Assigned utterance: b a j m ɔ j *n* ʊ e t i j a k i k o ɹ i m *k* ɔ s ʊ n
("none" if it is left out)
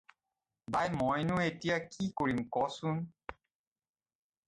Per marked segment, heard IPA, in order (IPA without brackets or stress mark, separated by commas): n, k